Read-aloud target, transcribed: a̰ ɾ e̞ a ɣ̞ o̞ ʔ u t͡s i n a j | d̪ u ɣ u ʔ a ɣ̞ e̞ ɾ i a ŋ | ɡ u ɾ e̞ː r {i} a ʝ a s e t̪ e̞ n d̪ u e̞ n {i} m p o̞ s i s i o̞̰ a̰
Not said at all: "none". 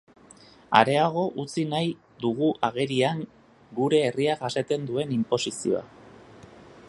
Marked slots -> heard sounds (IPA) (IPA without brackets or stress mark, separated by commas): i, i